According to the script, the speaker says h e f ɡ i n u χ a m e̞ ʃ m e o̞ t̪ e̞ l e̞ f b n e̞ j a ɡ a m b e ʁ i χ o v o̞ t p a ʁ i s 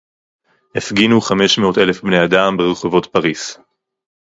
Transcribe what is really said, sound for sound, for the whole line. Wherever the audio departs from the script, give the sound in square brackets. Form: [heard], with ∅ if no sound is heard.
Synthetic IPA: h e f ɡ i n u χ a m e̞ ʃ m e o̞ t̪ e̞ l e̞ f b n e̞ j a [d] a m b e ʁ [e] χ o v o̞ t p a ʁ i s